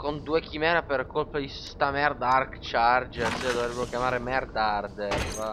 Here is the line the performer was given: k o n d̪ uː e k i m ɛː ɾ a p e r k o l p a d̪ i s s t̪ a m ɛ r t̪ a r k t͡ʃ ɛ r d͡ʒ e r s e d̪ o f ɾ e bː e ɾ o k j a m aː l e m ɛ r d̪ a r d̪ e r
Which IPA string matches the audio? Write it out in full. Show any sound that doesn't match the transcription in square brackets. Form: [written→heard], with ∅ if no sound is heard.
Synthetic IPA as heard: k o n d̪ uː e k i m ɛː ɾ a p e r k o l p a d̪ i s s t̪ a m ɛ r [t̪→d̪] a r k t͡ʃ [ɛ→a] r d͡ʒ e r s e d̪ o [f→v] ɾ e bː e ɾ o k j a m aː [l→ɾ] e m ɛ r d̪ a r d̪ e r